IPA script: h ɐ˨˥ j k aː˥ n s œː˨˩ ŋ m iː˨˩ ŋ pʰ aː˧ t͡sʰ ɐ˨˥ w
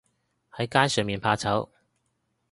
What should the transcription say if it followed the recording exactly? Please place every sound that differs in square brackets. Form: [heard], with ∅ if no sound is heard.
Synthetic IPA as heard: h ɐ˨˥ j k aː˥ n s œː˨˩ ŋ m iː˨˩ [n] pʰ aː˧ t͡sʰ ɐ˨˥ w